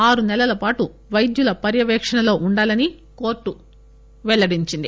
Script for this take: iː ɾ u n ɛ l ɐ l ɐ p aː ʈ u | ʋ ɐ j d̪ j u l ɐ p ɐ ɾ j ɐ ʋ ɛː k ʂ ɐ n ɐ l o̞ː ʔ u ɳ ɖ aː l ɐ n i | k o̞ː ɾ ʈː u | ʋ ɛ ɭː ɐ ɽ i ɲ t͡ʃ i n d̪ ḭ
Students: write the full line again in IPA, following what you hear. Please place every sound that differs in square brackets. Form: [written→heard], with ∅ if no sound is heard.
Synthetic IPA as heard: [iː→aː] ɾ u n ɛ l ɐ l ɐ p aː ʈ u | ʋ ɐ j d̪ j u l ɐ p ɐ ɾ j ɐ ʋ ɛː k ʂ ɐ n ɐ l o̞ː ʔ u ɳ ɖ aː l ɐ n i | k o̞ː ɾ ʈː u | ʋ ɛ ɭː ɐ ɽ i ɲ t͡ʃ i n d̪ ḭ

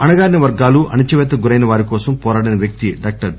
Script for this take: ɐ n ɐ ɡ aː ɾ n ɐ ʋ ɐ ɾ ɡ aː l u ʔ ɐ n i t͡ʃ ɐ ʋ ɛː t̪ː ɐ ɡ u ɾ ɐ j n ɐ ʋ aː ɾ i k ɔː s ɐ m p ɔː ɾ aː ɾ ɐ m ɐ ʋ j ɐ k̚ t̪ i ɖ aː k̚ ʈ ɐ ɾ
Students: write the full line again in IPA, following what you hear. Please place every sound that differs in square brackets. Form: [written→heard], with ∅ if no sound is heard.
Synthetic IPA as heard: ɐ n ɐ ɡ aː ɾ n ɐ ʋ ɐ ɾ ɡ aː l u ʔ ɐ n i t͡ʃ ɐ ʋ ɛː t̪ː ɐ ɡ u ɾ ɐ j n ɐ ʋ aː ɾ i k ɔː s ɐ m p ɔː ɾ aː [ɾ→ɽ] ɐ [m→n] ɐ ʋ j ɐ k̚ t̪ i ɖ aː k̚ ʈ ɐ ɾ

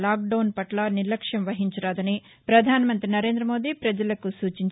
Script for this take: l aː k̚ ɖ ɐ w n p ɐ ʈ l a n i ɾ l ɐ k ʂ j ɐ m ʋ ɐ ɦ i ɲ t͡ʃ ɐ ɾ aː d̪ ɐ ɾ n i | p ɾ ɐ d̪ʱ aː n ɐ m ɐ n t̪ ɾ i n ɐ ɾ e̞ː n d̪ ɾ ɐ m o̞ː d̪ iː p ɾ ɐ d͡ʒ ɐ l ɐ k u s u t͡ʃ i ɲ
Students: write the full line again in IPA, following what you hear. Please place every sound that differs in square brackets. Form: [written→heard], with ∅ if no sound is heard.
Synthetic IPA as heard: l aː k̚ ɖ ɐ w n p ɐ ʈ l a n i ɾ l ɐ k ʂ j ɐ m ʋ ɐ ɦ i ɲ t͡ʃ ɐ ɾ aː d̪ ɐ [ɾ→∅] n i | p ɾ ɐ d̪ʱ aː n ɐ m ɐ n t̪ ɾ i n ɐ ɾ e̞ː n d̪ ɾ ɐ m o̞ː d̪ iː p ɾ ɐ d͡ʒ ɐ l ɐ k u s [u→uː] t͡ʃ i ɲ

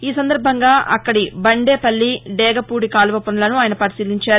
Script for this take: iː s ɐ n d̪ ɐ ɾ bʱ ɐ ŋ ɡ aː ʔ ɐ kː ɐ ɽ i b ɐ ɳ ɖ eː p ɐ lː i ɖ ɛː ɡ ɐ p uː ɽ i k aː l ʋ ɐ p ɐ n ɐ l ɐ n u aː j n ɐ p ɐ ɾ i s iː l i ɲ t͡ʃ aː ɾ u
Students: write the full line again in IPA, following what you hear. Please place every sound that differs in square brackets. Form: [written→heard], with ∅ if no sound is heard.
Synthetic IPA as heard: iː s ɐ n d̪ ɐ ɾ bʱ ɐ ŋ ɡ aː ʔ ɐ kː ɐ ɽ i b ɐ ɳ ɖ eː p ɐ lː i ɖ ɛː ɡ ɐ p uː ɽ i k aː l ʋ ɐ p ɐ n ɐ l ɐ n u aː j n ɐ p ɐ ɾ i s iː l i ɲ t͡ʃ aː ɾ u

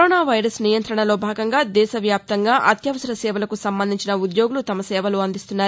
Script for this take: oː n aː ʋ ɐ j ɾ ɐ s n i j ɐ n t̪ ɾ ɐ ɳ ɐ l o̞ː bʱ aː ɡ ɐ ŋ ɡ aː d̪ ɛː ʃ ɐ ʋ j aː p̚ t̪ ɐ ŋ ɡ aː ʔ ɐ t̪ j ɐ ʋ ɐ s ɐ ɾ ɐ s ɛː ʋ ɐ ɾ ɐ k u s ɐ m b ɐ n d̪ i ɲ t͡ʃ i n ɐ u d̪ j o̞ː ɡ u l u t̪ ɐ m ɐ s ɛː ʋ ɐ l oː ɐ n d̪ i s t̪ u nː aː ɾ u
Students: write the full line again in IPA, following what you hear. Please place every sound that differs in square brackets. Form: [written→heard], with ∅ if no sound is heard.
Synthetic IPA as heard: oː n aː ʋ ɐ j ɾ ɐ s n i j ɐ n t̪ ɾ ɐ ɳ ɐ l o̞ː bʱ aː ɡ ɐ ŋ ɡ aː d̪ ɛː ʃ ɐ ʋ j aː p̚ t̪ ɐ ŋ ɡ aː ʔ ɐ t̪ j ɐ ʋ ɐ s ɐ ɾ ɐ s ɛː ʋ ɐ [ɾ→l] ɐ k u s ɐ m b ɐ n d̪ i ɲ t͡ʃ i n ɐ u d̪ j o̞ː ɡ u l u t̪ ɐ m ɐ s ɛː ʋ ɐ l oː ɐ n d̪ i s t̪ u nː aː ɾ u

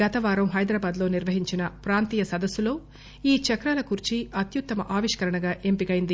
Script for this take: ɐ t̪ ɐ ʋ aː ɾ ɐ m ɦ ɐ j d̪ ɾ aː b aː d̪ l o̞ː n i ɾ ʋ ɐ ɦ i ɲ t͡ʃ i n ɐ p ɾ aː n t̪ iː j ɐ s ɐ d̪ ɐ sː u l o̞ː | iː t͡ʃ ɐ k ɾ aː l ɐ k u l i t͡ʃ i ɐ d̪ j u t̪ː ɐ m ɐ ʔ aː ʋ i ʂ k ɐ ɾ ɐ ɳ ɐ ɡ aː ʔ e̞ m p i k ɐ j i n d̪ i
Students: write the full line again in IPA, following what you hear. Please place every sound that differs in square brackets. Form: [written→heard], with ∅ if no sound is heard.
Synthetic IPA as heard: ɐ t̪ ɐ ʋ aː ɾ ɐ m ɦ ɐ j d̪ ɾ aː b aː d̪ l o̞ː n i ɾ ʋ ɐ ɦ i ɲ t͡ʃ i n ɐ p ɾ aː n t̪ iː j ɐ s ɐ d̪ ɐ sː u l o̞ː | iː t͡ʃ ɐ k ɾ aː l ɐ k u [l→ɾ] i t͡ʃ i ɐ [d̪→t̪] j u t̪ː ɐ m ɐ ʔ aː ʋ i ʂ k ɐ ɾ ɐ ɳ ɐ ɡ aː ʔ e̞ m p i k ɐ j i n d̪ i

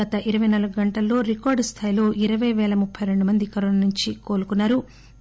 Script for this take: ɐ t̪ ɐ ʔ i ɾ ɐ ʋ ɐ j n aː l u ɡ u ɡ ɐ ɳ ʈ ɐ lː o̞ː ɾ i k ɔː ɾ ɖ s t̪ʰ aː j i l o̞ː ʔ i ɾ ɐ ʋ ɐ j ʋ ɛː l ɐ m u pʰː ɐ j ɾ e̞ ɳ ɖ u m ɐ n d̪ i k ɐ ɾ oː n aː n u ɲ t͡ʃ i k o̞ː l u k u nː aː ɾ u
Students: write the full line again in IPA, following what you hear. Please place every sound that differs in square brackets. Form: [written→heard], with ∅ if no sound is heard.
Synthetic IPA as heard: ɐ t̪ ɐ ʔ i ɾ ɐ ʋ ɐ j n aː l u ɡ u ɡ ɐ ɳ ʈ ɐ lː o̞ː ɾ i k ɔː ɾ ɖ s t̪ʰ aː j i l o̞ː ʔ i ɾ ɐ ʋ ɐ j ʋ ɛː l ɐ m u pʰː ɐ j ɾ e̞ ɳ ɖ u m ɐ n d̪ i k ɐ ɾ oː n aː n u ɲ t͡ʃ i k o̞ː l u k u nː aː ɾ u

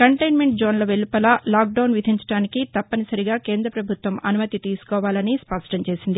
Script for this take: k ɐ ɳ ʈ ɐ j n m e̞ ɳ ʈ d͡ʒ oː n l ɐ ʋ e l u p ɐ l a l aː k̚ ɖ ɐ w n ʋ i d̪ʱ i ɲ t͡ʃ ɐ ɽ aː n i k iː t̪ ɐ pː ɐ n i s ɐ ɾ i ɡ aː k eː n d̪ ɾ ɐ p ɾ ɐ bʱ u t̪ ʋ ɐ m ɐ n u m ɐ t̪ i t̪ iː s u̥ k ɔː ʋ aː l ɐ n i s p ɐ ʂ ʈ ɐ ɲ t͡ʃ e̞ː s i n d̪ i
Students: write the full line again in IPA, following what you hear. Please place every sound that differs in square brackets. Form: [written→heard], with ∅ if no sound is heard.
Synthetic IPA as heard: k ɐ ɳ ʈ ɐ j n m e̞ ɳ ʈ d͡ʒ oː n l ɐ ʋ e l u p ɐ l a l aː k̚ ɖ ɐ w n ʋ i d̪ʱ i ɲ t͡ʃ ɐ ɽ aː n i k [iː→i] t̪ ɐ pː ɐ n i s ɐ ɾ i ɡ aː k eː n d̪ ɾ ɐ p ɾ ɐ bʱ u t̪ ʋ ɐ m ɐ n u m ɐ t̪ i t̪ iː s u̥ k ɔː ʋ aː l ɐ n i s p ɐ ʂ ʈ ɐ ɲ t͡ʃ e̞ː s i n d̪ i

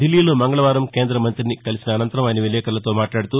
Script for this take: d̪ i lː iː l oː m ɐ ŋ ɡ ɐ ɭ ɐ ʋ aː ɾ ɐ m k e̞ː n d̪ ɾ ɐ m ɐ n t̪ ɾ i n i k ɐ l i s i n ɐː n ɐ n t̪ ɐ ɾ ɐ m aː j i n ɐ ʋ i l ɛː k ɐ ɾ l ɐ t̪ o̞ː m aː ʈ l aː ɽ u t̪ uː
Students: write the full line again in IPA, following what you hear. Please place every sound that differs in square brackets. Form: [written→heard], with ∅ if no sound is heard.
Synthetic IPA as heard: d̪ i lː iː l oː m ɐ ŋ ɡ ɐ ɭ ɐ ʋ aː ɾ ɐ m k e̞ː n d̪ ɾ ɐ m ɐ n t̪ ɾ i n i k ɐ l i s i n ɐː n ɐ n t̪ ɐ ɾ ɐ m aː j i n ɐ ʋ i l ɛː k ɐ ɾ l ɐ t̪ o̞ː m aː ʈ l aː ɽ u t̪ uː

